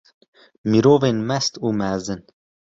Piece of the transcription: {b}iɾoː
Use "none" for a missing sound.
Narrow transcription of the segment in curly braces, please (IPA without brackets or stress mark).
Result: m